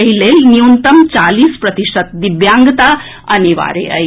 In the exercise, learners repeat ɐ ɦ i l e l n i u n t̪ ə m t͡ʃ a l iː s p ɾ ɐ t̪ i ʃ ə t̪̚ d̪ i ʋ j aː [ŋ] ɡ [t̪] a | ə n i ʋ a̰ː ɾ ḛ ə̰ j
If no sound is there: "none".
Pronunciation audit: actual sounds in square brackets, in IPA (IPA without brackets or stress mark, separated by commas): ŋ, t̪